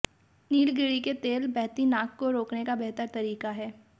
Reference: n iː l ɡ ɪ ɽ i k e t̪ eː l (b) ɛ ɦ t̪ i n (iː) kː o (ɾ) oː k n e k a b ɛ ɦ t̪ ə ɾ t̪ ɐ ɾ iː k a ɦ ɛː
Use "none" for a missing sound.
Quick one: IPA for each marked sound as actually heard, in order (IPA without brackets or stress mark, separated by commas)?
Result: b, aː, ɾ